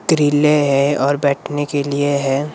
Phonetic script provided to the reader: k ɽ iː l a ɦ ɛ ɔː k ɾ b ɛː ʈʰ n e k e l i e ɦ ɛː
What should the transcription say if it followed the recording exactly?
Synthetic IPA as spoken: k ɾ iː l e ɦ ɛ ɔː ɾ b ɛː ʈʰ n e k e l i e ɦ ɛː